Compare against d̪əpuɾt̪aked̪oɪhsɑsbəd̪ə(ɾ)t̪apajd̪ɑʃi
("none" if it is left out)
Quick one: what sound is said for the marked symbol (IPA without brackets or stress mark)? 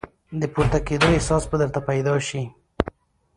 ɾ